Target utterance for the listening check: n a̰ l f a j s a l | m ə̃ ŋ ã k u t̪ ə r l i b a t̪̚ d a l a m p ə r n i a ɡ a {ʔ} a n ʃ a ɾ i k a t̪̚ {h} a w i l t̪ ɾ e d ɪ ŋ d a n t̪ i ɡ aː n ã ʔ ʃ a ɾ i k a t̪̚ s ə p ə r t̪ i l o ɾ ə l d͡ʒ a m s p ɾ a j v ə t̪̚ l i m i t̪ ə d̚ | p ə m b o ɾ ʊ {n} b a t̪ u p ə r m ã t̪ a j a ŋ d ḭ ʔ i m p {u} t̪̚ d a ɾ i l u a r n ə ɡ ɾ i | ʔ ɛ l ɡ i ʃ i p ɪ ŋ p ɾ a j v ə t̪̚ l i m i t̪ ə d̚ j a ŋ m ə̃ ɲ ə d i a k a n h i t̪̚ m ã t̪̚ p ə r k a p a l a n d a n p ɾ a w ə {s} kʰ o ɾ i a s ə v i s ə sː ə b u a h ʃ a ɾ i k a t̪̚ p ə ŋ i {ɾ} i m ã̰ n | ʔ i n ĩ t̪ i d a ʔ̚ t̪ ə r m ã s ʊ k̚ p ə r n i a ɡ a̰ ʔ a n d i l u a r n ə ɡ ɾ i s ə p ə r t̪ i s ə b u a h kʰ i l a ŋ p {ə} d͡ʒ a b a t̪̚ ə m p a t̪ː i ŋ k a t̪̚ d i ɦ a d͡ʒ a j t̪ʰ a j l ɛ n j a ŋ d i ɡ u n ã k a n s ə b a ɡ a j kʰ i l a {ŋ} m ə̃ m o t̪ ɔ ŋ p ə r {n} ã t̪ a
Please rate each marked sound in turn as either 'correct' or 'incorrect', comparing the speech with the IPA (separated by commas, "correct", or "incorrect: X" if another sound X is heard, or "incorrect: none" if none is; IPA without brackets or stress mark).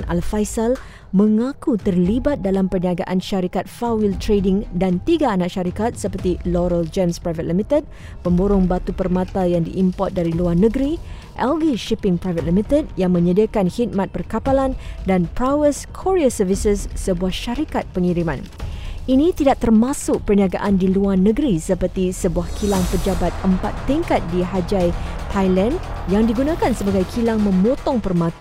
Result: correct, incorrect: f, incorrect: ŋ, incorrect: ɔ, correct, correct, correct, correct, incorrect: m